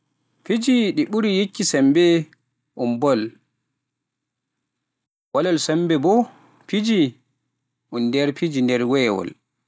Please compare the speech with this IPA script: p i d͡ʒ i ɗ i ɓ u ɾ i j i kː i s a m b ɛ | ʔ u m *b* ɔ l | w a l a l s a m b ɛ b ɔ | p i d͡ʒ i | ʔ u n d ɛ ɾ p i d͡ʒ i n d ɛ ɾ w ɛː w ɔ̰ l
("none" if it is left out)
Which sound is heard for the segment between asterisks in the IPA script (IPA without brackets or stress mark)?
b